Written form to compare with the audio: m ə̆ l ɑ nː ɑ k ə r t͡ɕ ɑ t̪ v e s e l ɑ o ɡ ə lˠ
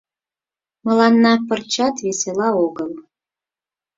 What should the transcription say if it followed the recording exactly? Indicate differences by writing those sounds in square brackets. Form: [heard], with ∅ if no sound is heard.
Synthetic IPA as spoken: m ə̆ l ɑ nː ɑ [p] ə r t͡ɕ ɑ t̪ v e s e l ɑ o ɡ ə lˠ